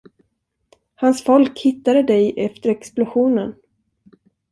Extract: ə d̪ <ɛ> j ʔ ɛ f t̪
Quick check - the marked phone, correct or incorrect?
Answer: correct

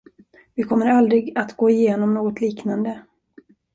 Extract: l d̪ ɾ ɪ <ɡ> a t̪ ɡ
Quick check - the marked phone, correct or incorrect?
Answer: correct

